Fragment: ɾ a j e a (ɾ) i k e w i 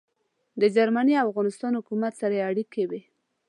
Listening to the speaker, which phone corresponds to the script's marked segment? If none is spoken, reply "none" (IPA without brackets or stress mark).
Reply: ɽ